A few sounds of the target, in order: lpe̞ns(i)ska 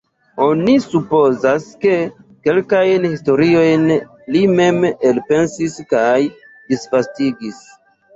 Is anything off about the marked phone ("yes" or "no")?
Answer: no